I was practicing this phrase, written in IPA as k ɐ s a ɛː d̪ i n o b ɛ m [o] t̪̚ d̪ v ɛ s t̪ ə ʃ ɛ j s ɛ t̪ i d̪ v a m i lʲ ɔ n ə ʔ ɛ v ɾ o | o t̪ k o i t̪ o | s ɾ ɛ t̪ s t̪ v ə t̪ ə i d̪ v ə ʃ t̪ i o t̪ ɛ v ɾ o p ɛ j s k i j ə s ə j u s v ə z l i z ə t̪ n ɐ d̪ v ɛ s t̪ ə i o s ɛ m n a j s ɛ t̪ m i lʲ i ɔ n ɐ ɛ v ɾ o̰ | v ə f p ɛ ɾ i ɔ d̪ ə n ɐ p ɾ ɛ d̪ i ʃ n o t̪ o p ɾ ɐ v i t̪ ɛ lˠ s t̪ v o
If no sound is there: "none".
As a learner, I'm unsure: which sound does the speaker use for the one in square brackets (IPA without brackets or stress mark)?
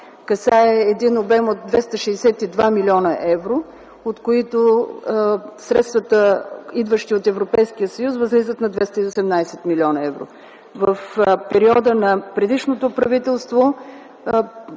o